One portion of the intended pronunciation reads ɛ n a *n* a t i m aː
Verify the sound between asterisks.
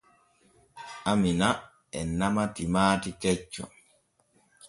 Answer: incorrect: m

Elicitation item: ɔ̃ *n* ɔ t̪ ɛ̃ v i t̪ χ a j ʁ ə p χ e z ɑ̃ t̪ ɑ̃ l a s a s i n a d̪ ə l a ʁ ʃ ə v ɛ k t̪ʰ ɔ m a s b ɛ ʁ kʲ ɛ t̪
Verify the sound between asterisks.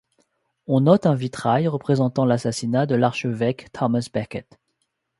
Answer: correct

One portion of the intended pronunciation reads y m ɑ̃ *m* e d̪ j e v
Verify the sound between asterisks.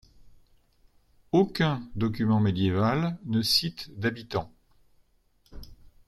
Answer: correct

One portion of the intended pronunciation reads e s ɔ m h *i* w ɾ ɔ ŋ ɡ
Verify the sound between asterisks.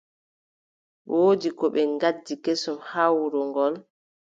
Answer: incorrect: a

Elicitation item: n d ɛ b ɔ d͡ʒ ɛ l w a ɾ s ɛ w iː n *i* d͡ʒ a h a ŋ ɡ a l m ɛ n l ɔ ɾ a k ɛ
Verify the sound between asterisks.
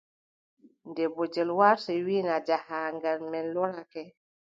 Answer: incorrect: a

